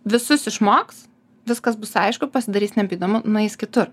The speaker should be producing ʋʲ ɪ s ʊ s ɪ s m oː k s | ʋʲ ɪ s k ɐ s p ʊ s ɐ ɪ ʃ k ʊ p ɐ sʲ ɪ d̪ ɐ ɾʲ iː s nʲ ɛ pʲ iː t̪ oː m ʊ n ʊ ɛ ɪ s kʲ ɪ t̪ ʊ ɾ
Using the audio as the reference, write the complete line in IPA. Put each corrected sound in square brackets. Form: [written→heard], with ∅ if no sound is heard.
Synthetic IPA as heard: ʋʲ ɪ s ʊ s ɪ [s→ʃ] m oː k s | ʋʲ ɪ s k ɐ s [p→b] ʊ s ɐ ɪ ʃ k ʊ p ɐ sʲ ɪ d̪ ɐ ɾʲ iː s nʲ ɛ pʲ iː [t̪→d̪] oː m ʊ n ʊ ɛ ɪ s kʲ ɪ t̪ ʊ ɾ